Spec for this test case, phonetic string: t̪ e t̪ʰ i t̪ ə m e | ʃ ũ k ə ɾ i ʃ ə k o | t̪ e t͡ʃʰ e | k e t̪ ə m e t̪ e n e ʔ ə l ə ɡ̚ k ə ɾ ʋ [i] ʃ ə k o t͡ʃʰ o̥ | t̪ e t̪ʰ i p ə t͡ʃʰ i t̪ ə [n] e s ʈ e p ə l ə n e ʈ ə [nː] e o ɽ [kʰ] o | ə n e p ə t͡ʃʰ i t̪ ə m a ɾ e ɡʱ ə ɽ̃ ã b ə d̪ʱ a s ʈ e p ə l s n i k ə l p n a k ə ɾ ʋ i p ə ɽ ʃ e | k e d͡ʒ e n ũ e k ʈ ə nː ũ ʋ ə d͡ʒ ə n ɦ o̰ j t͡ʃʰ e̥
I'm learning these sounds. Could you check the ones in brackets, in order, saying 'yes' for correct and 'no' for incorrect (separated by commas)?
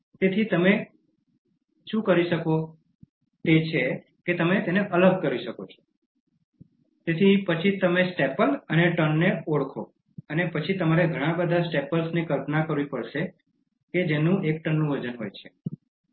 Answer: yes, no, yes, yes